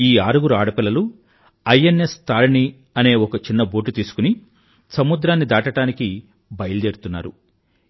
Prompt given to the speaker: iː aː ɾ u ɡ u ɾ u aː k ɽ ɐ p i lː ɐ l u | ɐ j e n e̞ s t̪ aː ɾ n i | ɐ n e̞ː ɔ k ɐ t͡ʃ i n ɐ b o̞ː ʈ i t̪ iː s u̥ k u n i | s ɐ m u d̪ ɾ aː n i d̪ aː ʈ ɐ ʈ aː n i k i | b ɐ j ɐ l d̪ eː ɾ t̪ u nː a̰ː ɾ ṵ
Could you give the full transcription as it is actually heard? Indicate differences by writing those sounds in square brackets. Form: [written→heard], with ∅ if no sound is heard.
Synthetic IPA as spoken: iː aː ɾ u ɡ u ɾ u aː [k→∅] ɽ ɐ p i lː ɐ l u | ɐ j e n e̞ s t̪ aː ɾ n i | ɐ n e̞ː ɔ k ɐ t͡ʃ i [n→nː] ɐ b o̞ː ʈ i t̪ iː s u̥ k u n i | s ɐ m u d̪ ɾ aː [n→nː] i d̪ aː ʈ ɐ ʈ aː n i k i | b ɐ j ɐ l d̪ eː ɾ t̪ u nː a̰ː ɾ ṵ